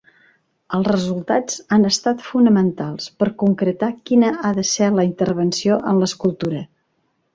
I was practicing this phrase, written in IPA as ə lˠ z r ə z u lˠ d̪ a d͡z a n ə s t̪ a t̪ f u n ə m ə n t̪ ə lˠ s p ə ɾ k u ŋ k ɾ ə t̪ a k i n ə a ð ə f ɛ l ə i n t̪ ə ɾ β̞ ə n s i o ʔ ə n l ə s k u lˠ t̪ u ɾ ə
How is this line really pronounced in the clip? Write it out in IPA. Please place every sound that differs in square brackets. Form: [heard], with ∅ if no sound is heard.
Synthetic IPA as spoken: ə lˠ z r ə z u lˠ [t̪] a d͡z a n ə s t̪ a t̪ f u n ə m ə n t̪ [a] lˠ s p ə ɾ k u ŋ k ɾ ə t̪ a k i n ə a ð ə [s] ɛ l ə i n t̪ ə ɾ β̞ ə n s i o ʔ ə n l ə s k u lˠ t̪ u ɾ ə